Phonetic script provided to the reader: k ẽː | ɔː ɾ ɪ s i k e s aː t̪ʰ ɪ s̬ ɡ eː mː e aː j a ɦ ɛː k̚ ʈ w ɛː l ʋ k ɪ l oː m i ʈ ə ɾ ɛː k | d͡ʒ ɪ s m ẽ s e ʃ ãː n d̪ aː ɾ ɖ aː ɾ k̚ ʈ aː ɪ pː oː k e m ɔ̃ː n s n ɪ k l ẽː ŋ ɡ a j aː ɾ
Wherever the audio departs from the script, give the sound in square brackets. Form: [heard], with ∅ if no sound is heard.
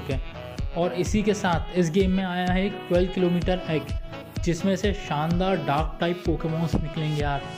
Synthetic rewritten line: k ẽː | ɔː ɾ ɪ s i k e s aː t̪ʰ ɪ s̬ ɡ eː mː [ẽ] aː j a ɦ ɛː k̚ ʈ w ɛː l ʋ k ɪ l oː m [iː] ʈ ə ɾ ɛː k | d͡ʒ ɪ s m ẽ s e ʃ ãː n d̪ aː ɾ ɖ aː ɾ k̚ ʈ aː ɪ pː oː k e m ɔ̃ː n s n ɪ k l ẽː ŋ ɡ [e] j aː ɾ